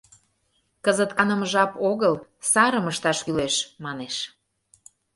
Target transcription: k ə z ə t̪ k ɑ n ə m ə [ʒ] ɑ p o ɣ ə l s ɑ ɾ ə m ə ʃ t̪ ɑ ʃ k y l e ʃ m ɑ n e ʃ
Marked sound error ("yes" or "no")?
no